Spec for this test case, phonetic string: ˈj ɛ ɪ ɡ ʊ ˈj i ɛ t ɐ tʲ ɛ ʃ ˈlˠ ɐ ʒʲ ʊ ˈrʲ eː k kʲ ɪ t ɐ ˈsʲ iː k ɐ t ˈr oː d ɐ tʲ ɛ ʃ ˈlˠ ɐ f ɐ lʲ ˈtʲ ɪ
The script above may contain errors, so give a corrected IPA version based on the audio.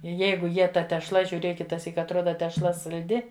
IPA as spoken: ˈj ɛ ɪ ɡ ʊ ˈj i ɛ t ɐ tʲ ɛ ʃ ˈlˠ ɐ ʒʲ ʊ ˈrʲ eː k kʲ ɪ t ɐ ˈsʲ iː k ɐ t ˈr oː d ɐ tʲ ɛ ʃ ˈlˠ ɐ s ɐ lʲ ˈdʲ ɪ